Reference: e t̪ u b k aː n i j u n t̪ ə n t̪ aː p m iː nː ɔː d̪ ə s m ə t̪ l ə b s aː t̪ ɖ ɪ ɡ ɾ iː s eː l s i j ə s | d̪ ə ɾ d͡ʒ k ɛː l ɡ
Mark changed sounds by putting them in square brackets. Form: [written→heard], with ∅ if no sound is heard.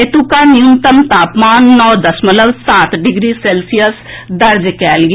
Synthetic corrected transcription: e t̪ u [b→∅] k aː n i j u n t̪ ə [n→m] t̪ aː p m [iː→aː] nː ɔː d̪ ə s m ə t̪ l ə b s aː t̪ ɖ ɪ ɡ ɾ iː s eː l s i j ə s | d̪ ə ɾ d͡ʒ k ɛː l ɡ

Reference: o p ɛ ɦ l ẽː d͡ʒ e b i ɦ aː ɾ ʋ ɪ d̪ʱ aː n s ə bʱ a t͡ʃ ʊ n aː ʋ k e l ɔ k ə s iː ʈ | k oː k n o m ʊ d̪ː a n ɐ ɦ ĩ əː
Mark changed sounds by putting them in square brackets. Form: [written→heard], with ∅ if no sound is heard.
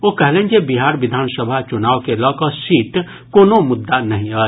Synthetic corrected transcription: o [p→k] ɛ ɦ l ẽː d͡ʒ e b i ɦ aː ɾ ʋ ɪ d̪ʱ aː n s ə bʱ a t͡ʃ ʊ n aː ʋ k e l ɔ k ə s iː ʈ | k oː [k→∅] n o m ʊ d̪ː a n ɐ ɦ ĩ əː

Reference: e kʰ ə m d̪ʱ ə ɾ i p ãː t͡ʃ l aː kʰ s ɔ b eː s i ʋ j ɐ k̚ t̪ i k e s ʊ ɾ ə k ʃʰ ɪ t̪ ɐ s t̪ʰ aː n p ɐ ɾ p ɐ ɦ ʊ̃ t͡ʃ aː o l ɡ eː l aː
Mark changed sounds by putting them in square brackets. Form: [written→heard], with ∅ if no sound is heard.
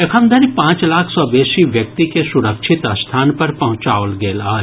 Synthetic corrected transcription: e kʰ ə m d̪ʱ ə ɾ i p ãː t͡ʃ l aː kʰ s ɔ b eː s i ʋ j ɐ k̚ t̪ i k e s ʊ ɾ ə k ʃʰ ɪ t̪ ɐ s t̪ʰ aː n p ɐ ɾ p ɐ ɦ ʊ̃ t͡ʃ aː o l ɡ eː l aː

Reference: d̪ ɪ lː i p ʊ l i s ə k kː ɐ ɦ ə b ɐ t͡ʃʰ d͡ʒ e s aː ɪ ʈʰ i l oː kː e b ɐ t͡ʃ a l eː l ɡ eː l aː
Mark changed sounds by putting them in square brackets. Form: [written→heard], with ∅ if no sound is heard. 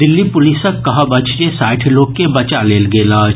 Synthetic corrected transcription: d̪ ɪ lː i p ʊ l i s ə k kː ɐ ɦ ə b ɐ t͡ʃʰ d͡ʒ e s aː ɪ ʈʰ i l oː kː e b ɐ t͡ʃ a l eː l ɡ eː l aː

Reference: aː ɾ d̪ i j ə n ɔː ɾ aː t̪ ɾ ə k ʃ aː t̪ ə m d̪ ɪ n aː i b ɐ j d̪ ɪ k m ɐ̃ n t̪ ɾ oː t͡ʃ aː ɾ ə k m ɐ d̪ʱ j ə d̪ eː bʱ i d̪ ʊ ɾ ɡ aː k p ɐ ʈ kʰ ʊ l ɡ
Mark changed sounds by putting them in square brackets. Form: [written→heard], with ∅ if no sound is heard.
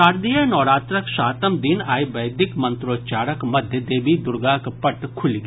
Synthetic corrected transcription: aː ɾ d̪ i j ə n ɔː ɾ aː t̪ ɾ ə k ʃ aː t̪ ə m d̪ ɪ n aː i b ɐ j d̪ ɪ k m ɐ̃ n t̪ ɾ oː t͡ʃ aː ɾ ə k m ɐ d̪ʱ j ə d̪ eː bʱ i d̪ ʊ ɾ ɡ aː k p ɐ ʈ kʰ ʊ l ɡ

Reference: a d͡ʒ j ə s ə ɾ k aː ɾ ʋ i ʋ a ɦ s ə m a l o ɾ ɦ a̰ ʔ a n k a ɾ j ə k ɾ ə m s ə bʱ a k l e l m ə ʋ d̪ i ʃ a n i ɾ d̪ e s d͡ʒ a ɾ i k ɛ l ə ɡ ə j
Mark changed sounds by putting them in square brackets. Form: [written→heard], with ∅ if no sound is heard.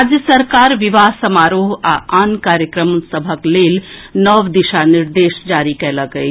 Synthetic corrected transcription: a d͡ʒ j ə s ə ɾ k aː ɾ ʋ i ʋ a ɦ s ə m a [l→ɾ] o [ɾ→∅] ɦ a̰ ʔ a n k a ɾ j ə k ɾ ə m s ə bʱ [a→ə] k l e l [m→n] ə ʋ d̪ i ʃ a n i ɾ d̪ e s d͡ʒ a ɾ i k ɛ l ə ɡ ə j

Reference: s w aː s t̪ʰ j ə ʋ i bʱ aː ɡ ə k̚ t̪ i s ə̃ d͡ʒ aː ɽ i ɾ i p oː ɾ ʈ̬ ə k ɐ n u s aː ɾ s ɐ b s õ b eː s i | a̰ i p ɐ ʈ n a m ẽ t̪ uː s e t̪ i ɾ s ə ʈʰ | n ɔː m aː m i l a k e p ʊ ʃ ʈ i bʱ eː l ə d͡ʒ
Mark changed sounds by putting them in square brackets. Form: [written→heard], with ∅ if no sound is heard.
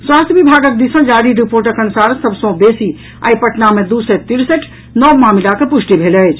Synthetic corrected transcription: s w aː s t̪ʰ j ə ʋ i bʱ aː ɡ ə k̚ [t̪→d̪] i s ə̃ d͡ʒ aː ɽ i ɾ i p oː ɾ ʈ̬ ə k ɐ n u s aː ɾ s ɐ b s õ b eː s i | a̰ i p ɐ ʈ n a m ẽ [t̪→d̪] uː s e t̪ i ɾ s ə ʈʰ | n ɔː m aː m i l a k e p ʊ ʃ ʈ i bʱ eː l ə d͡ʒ

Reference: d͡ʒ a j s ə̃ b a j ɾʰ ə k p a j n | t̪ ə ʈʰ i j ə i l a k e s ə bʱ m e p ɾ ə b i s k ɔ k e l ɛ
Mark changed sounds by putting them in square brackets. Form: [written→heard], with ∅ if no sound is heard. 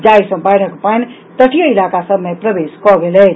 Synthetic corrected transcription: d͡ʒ a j s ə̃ b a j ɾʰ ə k p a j n | t̪ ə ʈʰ i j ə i l a k [e→a] s ə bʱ m e p ɾ ə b [i→e] s k ɔ [k→ɡ] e l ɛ

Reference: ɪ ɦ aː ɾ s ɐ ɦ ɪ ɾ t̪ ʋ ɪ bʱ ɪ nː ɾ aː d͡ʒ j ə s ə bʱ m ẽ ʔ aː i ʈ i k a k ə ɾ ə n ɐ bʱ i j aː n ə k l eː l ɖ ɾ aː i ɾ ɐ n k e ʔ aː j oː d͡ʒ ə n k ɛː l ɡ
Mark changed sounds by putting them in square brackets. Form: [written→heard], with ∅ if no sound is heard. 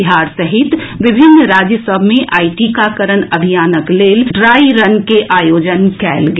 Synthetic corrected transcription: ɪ ɦ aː ɾ s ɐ ɦ ɪ [ɾ→∅] t̪ ʋ ɪ bʱ ɪ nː ɾ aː d͡ʒ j ə s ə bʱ m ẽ ʔ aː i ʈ i k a k ə ɾ ə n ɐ bʱ i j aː n ə k l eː l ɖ ɾ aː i ɾ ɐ n k e ʔ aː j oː d͡ʒ ə n k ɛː l ɡ

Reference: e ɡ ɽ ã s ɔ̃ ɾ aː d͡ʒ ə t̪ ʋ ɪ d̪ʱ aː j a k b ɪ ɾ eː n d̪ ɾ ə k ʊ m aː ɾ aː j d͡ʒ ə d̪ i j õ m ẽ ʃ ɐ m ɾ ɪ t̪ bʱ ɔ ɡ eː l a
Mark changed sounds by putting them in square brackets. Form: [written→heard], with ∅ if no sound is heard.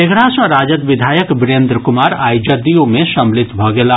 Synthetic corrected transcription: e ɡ ɽ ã s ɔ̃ ɾ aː d͡ʒ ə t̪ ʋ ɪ d̪ʱ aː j [a→ə] k b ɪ ɾ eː n d̪ ɾ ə k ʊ m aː ɾ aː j d͡ʒ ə d̪ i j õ m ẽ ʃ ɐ m [ɾ→l] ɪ t̪ bʱ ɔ ɡ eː l a

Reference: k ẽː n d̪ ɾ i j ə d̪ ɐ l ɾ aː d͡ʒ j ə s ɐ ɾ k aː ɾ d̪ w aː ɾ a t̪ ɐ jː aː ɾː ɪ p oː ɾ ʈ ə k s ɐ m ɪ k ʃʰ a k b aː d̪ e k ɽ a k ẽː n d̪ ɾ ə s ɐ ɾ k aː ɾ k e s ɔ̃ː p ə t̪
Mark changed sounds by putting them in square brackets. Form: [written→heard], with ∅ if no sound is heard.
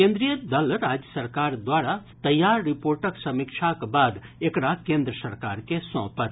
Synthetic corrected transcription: k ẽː n d̪ ɾ i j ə d̪ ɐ l ɾ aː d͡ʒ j ə s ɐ ɾ k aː ɾ d̪ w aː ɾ a t̪ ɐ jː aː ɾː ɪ p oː ɾ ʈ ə k s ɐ m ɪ k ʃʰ a k b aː d̪ e k ɽ a k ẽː n d̪ ɾ ə s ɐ ɾ k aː ɾ k e s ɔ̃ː p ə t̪

